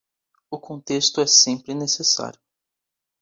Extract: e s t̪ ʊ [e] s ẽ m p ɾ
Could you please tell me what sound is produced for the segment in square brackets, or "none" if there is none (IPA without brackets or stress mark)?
ɛ